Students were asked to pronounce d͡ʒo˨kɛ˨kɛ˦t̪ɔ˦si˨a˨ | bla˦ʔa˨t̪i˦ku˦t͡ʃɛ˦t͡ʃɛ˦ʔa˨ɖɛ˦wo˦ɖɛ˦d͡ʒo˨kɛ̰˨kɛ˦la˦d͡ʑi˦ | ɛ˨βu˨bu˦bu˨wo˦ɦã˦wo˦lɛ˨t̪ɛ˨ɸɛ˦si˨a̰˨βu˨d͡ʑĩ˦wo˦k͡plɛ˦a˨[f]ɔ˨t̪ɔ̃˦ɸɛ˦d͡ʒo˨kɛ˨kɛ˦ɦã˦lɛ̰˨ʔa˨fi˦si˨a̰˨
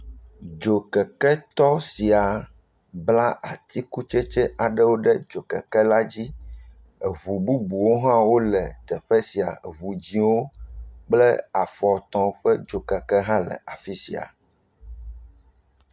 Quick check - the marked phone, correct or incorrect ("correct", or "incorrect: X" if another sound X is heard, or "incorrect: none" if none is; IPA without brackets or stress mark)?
correct